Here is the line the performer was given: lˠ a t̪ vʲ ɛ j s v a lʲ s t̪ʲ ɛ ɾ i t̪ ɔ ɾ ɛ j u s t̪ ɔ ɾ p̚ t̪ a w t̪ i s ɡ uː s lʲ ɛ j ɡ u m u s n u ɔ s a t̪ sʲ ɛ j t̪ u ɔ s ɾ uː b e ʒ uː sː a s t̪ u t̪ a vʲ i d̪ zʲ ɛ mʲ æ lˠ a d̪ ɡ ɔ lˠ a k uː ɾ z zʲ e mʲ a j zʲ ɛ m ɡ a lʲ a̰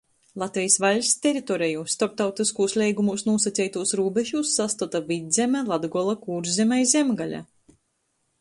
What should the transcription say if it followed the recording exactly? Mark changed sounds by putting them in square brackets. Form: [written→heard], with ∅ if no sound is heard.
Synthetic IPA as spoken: lˠ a t̪ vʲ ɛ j s v a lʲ s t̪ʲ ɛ ɾ i t̪ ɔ ɾ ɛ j u s t̪ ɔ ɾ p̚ t̪ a w t̪ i s [ɡ→k] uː s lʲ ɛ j ɡ u m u s n u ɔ s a t̪ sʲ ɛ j t̪ u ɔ s ɾ uː b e ʒ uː sː a s t̪ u t̪ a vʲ i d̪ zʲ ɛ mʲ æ lˠ a d̪ ɡ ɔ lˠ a k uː ɾ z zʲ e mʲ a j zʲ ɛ m ɡ a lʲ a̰